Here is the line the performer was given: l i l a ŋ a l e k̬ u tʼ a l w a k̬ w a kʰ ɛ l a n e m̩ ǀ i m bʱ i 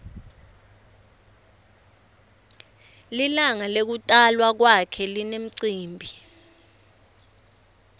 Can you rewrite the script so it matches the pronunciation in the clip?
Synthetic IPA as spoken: l i l a ŋ a l e k̬ u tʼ a l w a k̬ w a kʰ ɛ l i n e m̩ ǀ iː m bʱ i